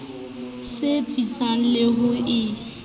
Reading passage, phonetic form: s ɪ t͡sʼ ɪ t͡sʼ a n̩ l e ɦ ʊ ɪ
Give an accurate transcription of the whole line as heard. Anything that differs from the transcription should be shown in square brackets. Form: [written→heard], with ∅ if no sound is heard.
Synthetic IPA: s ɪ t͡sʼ [ɪ→i] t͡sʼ a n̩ l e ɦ ʊ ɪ

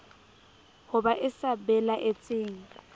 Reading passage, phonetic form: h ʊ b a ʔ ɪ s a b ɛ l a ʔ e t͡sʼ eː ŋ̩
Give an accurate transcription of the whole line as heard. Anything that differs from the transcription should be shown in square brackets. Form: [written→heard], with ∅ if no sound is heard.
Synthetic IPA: h ʊ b a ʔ ɪ s a b ɛ l a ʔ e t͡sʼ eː ŋ̩

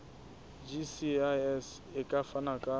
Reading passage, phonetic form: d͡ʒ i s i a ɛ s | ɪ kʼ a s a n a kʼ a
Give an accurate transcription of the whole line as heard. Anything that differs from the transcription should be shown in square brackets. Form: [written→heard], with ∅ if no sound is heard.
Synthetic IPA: d͡ʒ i s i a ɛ s | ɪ kʼ a [s→f] a n a kʼ a

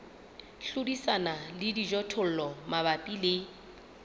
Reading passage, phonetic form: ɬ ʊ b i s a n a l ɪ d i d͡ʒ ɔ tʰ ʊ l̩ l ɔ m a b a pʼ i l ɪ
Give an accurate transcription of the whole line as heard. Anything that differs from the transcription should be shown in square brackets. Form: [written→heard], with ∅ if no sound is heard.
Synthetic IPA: ɬ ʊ [b→d] i s a n a l ɪ d i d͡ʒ ɔ tʰ ʊ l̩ l ɔ m a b a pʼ i l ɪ

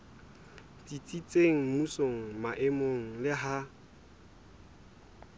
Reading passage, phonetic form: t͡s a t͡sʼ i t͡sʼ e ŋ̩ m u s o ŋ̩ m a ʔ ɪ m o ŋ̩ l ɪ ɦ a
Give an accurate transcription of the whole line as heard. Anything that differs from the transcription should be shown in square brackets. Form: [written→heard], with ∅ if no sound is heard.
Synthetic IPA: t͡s [a→i] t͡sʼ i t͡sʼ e ŋ̩ m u s o ŋ̩ m a ʔ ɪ m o ŋ̩ l ɪ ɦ a

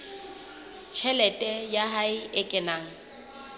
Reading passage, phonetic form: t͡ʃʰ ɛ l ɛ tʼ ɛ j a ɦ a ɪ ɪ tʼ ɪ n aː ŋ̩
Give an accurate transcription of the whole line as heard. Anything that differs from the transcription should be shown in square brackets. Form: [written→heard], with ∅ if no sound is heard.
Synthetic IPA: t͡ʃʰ ɛ l ɛ tʼ ɛ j a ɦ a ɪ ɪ [tʼ→kʼ] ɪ n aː ŋ̩

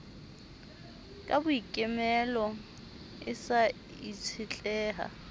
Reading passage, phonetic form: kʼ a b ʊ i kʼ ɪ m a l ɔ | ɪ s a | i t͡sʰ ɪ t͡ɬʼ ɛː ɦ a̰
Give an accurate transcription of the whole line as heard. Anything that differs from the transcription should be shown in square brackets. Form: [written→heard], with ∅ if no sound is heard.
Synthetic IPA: kʼ a b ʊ i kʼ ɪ m [a→ɛ] l ɔ | ɪ s a | i t͡sʰ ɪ t͡ɬʼ ɛː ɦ a̰

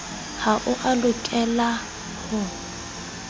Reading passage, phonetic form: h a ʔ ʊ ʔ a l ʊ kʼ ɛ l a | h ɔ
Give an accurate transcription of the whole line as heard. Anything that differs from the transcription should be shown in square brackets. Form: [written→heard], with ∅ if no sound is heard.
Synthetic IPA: h a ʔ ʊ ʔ a l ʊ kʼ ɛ l a | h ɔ

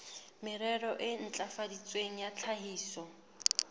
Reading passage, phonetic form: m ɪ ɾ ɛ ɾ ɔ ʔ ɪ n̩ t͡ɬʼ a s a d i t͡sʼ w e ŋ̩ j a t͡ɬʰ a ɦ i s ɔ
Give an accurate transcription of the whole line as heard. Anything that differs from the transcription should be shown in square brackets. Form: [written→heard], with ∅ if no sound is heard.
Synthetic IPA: m ɪ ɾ ɛ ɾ ɔ ʔ ɪ n̩ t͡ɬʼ a [s→f] a d i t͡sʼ w e ŋ̩ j a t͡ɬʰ a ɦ [i→iː] s ɔ

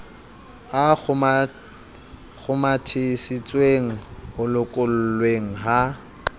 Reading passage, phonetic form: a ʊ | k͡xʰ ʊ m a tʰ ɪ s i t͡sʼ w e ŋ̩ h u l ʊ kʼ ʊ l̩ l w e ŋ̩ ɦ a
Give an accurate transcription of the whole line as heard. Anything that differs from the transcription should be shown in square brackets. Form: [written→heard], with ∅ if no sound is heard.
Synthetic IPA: a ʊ | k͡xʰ ʊ m a tʰ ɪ s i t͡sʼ w e ŋ̩ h [u→ʊ] l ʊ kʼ ʊ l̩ l w e ŋ̩ ɦ a

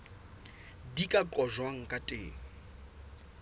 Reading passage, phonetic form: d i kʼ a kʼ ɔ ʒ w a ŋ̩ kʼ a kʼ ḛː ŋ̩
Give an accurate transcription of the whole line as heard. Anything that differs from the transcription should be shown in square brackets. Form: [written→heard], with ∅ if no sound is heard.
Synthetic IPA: d i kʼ a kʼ ɔ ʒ w a ŋ̩ kʼ a [kʼ→tʼ] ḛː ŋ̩

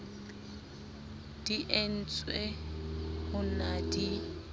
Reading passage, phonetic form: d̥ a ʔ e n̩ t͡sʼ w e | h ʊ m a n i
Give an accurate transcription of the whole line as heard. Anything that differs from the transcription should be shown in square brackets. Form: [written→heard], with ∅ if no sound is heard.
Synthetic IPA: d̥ [a→i] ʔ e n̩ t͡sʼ w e | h ʊ [m→n] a [n→d] i

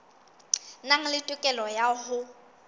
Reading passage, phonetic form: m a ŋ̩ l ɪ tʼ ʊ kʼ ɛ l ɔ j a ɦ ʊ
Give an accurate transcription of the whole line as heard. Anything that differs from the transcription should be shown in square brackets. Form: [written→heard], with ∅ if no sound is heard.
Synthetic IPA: [m→n] a ŋ̩ l ɪ tʼ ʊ kʼ ɛ l ɔ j a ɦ ʊ

